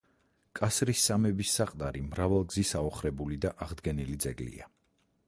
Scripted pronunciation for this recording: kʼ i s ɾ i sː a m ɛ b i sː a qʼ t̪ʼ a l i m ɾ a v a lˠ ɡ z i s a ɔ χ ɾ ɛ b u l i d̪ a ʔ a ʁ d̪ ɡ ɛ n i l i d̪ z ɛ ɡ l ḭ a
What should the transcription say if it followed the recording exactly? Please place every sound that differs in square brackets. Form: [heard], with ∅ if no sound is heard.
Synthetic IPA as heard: kʼ [a] s ɾ i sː a m ɛ b i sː a qʼ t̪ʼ a [ɾ] i m ɾ a v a lˠ ɡ z i s a ɔ χ ɾ ɛ b u l i d̪ a ʔ a ʁ d̪ ɡ ɛ n i l i d̪ z ɛ ɡ l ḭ a